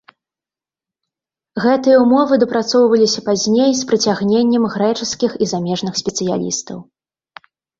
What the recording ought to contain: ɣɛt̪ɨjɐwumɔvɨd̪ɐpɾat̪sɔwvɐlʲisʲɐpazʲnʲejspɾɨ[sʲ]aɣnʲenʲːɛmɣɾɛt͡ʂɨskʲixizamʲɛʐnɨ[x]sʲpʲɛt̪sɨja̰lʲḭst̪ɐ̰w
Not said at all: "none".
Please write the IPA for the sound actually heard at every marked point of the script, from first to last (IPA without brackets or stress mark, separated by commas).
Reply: t͡sʲ, x